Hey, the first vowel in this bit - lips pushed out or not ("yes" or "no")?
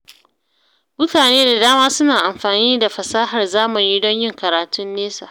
yes